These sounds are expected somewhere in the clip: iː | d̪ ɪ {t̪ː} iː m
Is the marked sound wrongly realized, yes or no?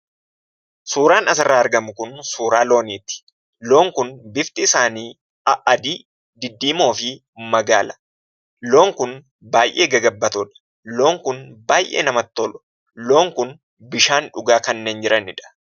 yes